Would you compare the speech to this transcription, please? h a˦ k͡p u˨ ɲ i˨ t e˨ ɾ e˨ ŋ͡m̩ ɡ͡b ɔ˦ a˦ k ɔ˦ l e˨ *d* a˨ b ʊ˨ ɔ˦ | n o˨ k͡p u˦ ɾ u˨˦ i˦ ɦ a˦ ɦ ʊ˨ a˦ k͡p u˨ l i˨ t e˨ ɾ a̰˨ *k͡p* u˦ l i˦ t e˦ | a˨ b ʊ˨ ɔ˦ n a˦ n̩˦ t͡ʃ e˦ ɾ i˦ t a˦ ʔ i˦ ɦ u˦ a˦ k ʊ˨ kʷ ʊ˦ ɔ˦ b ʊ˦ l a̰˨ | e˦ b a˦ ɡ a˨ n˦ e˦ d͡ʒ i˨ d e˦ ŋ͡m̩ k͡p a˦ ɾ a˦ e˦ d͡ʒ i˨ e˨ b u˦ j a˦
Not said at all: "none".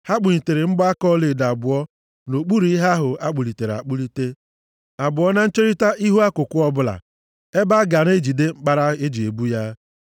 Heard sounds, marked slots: d, k͡p

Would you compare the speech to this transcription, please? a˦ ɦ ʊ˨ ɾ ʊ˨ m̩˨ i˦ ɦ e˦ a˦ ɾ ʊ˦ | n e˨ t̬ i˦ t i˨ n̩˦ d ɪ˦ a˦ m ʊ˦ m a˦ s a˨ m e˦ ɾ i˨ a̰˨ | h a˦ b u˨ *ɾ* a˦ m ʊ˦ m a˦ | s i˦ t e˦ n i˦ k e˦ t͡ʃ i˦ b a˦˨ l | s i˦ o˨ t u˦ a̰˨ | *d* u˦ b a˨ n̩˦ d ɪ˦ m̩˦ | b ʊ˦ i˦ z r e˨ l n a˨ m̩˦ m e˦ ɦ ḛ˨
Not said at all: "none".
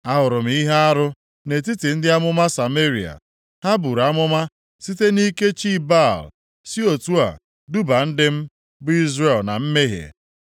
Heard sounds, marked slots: ɾ, d

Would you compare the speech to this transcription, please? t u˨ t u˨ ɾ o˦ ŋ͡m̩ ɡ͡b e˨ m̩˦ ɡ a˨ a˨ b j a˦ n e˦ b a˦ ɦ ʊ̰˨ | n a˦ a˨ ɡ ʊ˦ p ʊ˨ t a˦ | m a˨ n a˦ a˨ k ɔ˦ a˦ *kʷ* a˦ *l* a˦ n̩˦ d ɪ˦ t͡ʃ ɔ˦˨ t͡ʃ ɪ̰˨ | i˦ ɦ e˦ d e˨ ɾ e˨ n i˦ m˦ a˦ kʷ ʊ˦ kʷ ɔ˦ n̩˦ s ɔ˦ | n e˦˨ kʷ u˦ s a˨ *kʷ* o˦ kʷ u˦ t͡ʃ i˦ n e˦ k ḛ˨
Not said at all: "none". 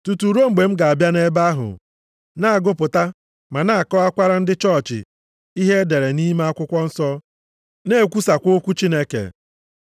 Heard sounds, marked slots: kʷ, ɾ, kʷ

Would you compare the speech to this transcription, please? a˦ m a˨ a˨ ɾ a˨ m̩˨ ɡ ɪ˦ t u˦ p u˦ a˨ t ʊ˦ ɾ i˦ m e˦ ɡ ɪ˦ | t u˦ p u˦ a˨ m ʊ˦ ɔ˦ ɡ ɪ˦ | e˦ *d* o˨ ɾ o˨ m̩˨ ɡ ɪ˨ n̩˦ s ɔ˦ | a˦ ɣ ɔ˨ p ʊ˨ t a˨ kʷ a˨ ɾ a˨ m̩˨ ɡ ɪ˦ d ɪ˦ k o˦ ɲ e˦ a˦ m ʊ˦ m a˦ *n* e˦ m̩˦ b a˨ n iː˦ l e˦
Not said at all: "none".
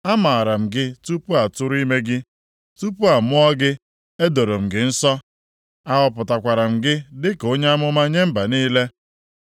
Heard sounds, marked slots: d, ɲ

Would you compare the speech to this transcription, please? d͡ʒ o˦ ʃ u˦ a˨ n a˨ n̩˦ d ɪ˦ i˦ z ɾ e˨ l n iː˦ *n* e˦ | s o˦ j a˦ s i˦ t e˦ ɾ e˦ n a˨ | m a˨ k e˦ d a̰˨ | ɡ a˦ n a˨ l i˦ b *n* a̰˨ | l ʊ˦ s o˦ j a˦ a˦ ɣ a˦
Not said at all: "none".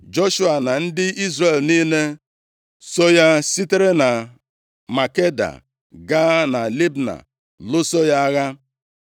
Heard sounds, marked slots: n, n

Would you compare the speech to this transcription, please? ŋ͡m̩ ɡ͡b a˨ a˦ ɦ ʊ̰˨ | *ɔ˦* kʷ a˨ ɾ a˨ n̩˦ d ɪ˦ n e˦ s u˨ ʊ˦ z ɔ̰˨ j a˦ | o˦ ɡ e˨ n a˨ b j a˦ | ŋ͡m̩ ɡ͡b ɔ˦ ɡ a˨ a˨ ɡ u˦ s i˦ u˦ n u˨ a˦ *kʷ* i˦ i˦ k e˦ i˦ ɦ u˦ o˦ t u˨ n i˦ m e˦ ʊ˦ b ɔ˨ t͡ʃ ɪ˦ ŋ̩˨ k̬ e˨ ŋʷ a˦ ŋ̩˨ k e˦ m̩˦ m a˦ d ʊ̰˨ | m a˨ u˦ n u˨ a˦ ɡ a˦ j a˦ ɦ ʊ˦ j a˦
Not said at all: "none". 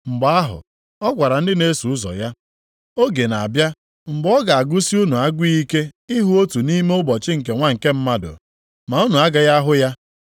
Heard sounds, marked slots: ɔ˦, ɡʷ

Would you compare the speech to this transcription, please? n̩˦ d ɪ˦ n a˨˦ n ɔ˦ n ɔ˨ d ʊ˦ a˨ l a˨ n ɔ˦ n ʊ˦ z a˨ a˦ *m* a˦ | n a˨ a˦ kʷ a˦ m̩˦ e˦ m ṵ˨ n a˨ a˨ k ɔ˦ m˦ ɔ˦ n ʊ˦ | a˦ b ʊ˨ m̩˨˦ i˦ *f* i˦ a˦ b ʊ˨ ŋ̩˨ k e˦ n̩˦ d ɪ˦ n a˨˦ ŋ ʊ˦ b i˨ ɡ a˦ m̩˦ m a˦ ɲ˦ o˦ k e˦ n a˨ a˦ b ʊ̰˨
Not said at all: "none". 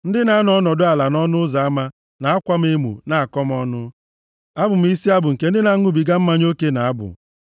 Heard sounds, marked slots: m, s

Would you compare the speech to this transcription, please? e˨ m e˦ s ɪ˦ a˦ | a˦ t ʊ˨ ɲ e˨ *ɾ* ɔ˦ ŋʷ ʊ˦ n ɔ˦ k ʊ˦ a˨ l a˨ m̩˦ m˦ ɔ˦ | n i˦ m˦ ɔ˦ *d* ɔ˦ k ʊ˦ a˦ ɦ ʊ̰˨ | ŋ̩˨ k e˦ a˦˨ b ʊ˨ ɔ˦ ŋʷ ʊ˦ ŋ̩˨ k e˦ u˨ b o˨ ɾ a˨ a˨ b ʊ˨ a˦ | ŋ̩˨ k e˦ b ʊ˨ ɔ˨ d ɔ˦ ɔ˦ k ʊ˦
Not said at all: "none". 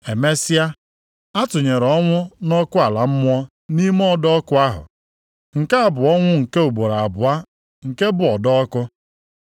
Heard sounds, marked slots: ɾ, d

